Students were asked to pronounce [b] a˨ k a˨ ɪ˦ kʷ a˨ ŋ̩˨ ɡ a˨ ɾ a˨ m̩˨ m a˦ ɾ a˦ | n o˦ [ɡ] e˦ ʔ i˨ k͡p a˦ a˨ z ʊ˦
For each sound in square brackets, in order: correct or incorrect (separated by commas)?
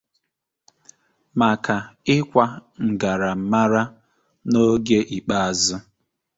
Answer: incorrect, correct